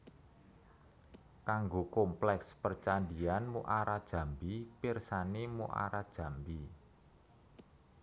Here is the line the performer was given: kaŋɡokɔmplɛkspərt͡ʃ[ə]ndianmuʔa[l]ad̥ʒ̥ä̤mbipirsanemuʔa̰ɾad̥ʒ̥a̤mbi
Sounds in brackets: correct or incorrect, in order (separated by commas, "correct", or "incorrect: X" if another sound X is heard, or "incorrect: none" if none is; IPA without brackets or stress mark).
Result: incorrect: a, incorrect: ɾ